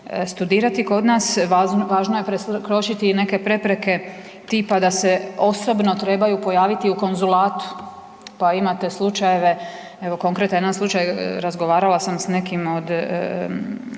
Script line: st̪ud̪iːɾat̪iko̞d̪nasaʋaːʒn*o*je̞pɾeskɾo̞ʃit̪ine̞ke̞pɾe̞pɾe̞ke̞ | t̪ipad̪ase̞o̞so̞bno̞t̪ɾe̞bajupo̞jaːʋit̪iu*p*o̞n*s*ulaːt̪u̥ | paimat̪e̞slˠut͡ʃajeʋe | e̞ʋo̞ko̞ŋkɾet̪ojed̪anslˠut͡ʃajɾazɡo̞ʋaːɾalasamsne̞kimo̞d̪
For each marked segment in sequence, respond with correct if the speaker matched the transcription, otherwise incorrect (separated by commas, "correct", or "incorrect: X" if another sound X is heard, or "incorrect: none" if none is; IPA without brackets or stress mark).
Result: correct, incorrect: k, incorrect: z